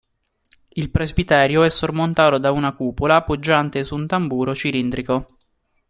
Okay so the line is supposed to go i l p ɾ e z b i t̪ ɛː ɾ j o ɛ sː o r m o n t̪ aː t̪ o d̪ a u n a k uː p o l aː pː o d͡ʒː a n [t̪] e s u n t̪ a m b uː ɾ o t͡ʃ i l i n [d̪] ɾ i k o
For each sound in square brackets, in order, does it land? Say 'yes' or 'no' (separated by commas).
yes, yes